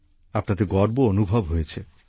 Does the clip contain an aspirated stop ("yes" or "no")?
yes